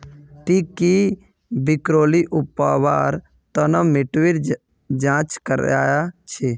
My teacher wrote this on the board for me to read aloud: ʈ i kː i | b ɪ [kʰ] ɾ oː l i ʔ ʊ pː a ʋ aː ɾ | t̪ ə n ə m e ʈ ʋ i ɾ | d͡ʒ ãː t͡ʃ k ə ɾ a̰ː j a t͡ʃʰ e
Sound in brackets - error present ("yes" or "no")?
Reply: yes